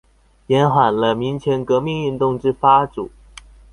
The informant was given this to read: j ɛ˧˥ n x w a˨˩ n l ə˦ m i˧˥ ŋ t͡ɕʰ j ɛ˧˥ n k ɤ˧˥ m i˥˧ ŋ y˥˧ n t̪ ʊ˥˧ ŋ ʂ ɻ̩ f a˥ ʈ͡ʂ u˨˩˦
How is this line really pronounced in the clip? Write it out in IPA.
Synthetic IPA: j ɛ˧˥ n x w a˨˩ n l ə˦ m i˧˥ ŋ t͡ɕʰ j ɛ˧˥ n k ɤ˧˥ m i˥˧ ŋ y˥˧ n t̪ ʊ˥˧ ŋ ʈ͡ʂ ɻ̩ f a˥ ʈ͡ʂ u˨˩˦